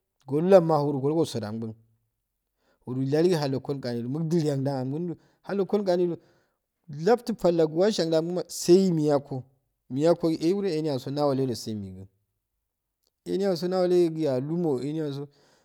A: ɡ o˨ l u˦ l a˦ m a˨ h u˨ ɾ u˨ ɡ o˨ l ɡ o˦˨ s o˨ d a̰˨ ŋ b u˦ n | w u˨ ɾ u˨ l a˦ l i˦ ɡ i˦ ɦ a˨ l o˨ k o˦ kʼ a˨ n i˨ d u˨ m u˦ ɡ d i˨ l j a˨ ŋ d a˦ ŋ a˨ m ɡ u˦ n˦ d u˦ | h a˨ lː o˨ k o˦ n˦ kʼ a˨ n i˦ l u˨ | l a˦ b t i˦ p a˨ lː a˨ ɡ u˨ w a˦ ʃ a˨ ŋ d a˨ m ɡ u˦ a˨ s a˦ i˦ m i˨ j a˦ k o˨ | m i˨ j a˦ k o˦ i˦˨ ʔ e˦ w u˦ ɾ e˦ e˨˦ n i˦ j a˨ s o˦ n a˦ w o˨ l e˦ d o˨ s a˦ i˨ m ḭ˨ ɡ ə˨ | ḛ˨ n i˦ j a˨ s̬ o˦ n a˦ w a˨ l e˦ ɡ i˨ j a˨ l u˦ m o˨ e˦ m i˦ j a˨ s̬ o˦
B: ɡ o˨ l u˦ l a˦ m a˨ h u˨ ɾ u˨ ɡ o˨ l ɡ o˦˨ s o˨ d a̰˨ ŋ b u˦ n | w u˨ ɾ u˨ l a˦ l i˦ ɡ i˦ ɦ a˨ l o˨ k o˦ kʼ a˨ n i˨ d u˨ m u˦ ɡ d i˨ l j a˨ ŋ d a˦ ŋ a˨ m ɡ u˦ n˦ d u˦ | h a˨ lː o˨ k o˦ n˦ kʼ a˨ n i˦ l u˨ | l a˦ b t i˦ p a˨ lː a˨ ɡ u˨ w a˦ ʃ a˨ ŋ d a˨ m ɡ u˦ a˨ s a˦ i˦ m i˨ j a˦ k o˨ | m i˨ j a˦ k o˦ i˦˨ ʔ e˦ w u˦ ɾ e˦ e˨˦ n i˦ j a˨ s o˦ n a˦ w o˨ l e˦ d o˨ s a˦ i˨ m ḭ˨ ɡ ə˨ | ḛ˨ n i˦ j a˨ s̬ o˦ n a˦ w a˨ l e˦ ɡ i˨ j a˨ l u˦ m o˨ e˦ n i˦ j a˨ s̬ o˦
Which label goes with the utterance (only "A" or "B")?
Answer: B